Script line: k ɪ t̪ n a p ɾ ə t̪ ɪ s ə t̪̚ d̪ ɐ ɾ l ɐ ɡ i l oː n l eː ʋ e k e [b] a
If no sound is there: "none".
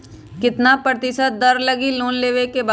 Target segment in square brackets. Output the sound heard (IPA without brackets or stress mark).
b